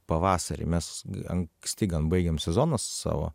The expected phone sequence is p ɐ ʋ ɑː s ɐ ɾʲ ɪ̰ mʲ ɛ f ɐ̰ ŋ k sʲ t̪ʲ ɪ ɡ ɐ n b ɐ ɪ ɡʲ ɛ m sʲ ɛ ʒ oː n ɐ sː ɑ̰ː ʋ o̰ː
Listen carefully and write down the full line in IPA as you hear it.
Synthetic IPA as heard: p ɐ ʋ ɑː s ɐ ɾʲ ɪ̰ mʲ ɛ s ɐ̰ ŋ k sʲ t̪ʲ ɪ ɡ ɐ n b ɐ ɪ ɡʲ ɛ m sʲ ɛ z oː n ɐ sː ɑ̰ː ʋ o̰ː